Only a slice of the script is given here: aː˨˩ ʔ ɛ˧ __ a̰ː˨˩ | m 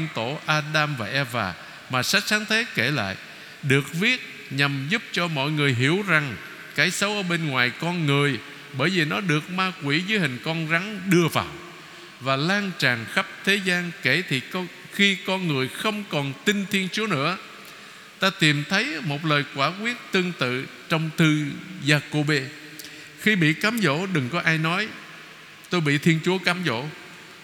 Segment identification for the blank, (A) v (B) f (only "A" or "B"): A